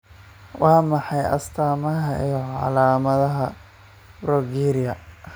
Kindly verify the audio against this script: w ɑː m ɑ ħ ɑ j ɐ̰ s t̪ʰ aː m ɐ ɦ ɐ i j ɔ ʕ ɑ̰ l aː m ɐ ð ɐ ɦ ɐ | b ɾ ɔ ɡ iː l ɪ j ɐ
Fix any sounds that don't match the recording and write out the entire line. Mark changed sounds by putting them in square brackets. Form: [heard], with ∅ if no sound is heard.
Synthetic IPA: w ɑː m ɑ ħ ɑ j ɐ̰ s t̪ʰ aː m ɐ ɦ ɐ i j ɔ ʕ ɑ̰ l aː m ɐ ð ɐ ɦ ɐ | b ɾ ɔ ɡ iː [ɾ] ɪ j ɐ